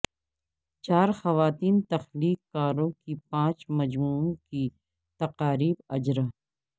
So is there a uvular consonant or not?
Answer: yes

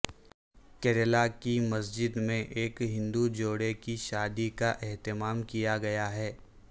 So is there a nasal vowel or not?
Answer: yes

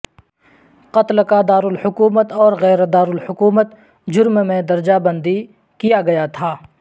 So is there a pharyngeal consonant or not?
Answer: no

